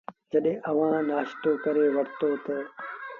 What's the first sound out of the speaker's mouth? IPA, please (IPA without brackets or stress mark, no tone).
d͡ʒ